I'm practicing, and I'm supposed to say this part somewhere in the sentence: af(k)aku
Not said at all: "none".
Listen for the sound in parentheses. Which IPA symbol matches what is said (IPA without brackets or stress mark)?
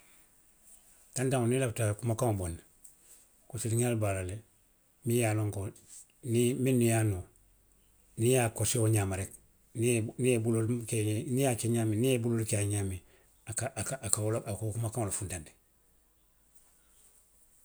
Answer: t